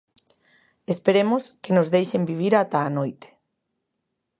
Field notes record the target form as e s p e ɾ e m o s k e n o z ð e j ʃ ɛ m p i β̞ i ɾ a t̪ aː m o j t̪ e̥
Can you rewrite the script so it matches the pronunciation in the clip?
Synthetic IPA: e s p e ɾ e m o s k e n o z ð e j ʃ e m b i β̞ i ɾ a t̪ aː n o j t̪ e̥